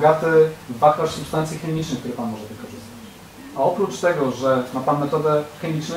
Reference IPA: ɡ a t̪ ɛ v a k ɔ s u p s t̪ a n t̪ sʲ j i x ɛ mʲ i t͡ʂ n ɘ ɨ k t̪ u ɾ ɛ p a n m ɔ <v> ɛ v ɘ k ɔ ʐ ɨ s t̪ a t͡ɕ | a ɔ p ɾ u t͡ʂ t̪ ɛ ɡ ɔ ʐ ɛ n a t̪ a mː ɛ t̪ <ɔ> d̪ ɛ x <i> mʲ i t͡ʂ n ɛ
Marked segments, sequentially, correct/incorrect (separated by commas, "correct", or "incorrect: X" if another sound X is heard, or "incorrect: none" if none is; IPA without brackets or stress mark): incorrect: ʐ, correct, incorrect: ɛ